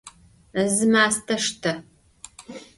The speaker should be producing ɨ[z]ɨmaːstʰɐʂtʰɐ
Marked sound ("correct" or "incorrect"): correct